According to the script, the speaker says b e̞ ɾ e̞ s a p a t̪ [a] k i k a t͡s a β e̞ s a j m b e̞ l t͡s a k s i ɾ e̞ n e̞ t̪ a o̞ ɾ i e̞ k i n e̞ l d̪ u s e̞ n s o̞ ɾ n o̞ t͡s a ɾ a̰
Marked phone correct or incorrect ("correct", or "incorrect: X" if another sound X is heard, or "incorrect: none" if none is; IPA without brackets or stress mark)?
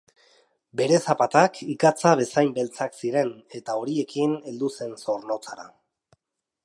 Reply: correct